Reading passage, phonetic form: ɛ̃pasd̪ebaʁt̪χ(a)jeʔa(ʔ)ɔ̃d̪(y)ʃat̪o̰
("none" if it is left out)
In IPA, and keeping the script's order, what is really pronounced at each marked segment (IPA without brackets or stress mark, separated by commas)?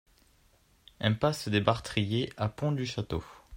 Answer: i, p, y